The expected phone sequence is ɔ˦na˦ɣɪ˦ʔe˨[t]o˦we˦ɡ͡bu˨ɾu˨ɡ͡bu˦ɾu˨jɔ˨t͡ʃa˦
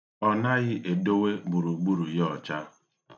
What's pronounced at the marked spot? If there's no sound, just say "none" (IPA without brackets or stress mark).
d